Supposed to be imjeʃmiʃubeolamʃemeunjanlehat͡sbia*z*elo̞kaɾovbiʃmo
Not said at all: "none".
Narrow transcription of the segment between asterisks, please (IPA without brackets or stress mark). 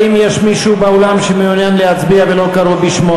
v